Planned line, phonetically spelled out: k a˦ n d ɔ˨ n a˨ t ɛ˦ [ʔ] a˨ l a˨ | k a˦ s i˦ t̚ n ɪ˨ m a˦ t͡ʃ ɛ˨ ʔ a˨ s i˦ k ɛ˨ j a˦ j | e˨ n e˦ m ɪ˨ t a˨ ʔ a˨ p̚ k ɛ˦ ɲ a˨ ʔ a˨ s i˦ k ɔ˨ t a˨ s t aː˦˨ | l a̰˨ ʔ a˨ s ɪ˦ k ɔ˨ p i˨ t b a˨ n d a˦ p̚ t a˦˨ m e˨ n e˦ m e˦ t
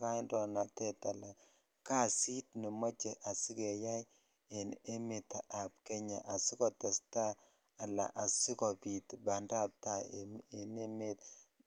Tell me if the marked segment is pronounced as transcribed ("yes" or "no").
no